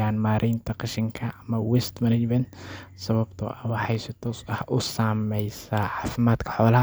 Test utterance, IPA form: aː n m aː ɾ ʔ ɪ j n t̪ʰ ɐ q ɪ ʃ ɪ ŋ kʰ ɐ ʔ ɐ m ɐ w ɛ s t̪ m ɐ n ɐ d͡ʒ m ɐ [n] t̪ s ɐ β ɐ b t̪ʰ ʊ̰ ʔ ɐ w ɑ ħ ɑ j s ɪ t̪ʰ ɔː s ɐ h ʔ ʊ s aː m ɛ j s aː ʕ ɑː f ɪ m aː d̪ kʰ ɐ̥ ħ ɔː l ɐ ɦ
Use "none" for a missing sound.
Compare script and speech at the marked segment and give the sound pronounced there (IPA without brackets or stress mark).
n